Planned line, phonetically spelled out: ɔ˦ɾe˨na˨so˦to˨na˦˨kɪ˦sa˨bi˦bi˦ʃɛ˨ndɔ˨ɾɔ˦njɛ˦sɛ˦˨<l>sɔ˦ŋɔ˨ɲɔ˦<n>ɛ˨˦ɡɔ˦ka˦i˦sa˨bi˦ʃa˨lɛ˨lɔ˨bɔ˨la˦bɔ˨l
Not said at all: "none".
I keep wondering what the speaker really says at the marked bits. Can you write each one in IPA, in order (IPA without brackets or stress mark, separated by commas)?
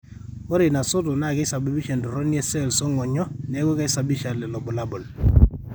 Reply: l, n